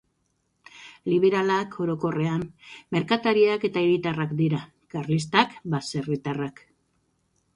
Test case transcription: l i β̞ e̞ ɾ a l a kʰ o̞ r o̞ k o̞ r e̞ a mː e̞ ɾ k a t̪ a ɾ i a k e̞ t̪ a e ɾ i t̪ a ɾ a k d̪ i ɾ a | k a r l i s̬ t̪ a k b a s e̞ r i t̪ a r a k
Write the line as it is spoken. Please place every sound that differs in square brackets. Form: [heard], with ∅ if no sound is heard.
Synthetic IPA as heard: l i β̞ e̞ ɾ a l a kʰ o̞ [ɾ] o̞ k o̞ r e̞ a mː e̞ ɾ k a t̪ a ɾ i a k e̞ t̪ a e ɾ i t̪ a [r] a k d̪ i ɾ a | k a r l i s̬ t̪ a k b a s e̞ r i t̪ a r a k